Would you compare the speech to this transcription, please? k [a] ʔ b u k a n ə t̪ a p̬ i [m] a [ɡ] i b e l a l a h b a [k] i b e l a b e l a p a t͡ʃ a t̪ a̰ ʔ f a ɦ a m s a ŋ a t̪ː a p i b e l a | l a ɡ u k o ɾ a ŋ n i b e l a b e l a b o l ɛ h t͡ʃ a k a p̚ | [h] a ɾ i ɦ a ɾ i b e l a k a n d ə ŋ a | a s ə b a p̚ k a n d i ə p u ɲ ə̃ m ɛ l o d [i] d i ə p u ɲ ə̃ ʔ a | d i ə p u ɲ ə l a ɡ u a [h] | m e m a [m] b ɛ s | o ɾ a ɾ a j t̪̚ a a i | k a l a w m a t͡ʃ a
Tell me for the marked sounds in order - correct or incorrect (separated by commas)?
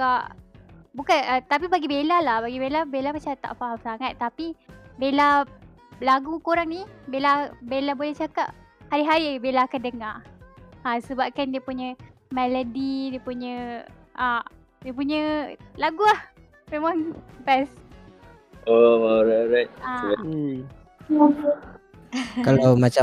correct, incorrect, correct, incorrect, correct, correct, correct, incorrect